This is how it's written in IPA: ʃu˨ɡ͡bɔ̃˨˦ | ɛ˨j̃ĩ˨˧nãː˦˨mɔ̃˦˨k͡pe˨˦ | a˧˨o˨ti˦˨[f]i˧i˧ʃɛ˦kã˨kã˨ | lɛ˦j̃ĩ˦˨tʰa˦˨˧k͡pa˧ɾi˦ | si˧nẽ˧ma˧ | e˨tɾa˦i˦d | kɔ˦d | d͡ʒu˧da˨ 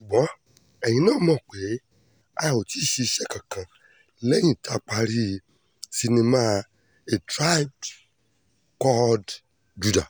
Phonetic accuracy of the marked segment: incorrect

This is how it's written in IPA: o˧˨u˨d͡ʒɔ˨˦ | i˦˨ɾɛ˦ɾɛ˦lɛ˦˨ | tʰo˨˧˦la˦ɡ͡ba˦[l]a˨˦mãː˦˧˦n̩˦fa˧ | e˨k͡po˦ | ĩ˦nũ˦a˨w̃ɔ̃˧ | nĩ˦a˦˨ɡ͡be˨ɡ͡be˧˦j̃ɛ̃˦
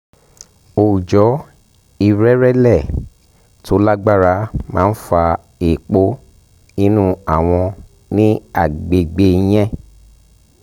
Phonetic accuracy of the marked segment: incorrect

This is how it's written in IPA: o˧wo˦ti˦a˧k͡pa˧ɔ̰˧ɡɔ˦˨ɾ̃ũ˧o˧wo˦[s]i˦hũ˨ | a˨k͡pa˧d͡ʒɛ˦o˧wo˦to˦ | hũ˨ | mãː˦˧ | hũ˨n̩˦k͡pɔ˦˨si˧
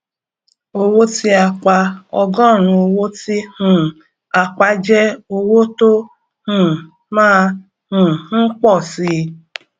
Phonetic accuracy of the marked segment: incorrect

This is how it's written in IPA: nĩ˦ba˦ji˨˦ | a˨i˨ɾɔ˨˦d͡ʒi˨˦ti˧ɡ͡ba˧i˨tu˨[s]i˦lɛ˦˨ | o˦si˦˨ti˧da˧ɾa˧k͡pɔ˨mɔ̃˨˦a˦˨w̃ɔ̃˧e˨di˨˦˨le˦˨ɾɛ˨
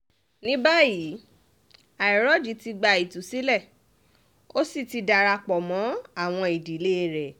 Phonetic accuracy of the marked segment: correct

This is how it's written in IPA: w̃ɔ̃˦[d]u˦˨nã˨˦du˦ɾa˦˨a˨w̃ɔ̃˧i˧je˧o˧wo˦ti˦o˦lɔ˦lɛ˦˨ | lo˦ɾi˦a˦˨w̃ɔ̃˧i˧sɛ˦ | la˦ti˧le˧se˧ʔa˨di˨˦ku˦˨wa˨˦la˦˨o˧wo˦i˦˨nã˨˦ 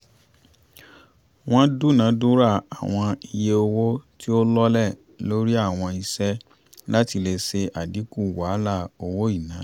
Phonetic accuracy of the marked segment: correct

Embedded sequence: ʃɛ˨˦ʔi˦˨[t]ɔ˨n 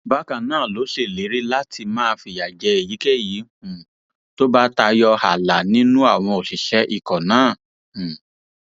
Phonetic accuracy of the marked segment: incorrect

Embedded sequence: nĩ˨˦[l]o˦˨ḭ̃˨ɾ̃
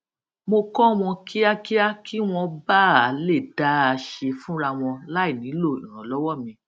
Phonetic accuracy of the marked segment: correct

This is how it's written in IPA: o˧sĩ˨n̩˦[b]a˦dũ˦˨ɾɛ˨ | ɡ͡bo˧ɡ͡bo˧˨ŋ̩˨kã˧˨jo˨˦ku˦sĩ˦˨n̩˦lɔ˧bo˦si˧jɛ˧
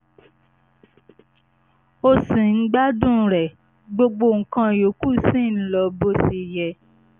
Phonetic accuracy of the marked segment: incorrect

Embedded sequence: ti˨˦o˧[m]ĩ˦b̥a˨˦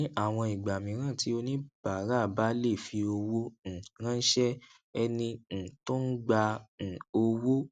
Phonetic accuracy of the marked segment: incorrect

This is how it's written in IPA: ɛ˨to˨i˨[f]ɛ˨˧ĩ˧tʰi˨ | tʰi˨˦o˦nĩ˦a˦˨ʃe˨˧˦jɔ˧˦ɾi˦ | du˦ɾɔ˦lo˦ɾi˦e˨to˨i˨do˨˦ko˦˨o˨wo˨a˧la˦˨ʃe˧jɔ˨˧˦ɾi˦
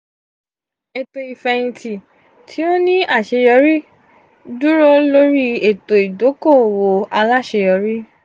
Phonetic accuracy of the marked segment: correct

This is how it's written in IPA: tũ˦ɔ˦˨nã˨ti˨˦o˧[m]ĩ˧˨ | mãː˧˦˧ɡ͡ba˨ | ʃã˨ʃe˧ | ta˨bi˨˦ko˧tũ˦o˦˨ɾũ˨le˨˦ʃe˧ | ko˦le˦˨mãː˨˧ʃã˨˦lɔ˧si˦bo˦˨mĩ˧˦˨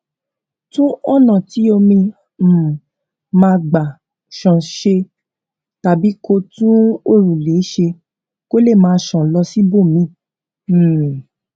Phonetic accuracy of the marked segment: correct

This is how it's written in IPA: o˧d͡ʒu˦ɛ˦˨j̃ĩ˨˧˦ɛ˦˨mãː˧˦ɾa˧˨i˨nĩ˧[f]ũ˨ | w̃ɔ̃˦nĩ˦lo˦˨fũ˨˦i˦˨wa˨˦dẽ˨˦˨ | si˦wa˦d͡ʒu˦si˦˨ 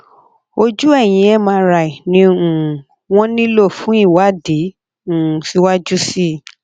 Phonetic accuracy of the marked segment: incorrect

